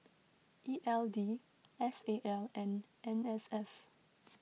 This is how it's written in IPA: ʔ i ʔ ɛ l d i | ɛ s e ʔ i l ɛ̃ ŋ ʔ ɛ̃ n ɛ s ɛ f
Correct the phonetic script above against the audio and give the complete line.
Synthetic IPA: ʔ i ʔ ɛ l d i | ɛ s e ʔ ɛ l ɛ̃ n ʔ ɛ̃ n ɛ s ɛ f